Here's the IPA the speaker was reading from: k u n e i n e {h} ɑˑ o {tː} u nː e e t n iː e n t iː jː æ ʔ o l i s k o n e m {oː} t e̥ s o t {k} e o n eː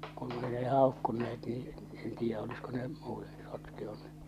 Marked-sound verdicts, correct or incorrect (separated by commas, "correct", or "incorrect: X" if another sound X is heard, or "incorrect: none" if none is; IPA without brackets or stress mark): correct, incorrect: kː, incorrect: uː, correct